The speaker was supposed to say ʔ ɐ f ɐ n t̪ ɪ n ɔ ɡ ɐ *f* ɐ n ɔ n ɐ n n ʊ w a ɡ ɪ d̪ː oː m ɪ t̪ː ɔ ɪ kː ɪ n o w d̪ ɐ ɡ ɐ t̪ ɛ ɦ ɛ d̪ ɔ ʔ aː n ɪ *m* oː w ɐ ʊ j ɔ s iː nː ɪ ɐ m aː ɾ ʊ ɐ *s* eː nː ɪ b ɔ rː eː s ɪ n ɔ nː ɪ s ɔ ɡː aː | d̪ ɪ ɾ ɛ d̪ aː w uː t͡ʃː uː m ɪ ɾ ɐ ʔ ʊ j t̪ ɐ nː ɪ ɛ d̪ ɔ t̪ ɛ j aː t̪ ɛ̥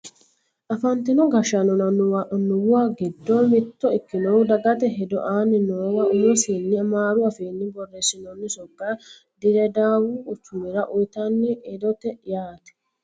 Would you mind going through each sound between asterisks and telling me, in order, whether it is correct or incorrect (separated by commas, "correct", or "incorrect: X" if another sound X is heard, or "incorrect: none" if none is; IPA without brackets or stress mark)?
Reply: incorrect: ʃ, incorrect: n, incorrect: f